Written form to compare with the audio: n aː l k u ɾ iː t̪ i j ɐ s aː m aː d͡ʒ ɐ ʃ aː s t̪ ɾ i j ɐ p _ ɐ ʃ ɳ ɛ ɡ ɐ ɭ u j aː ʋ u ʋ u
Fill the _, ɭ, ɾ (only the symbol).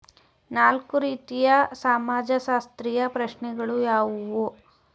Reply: ɾ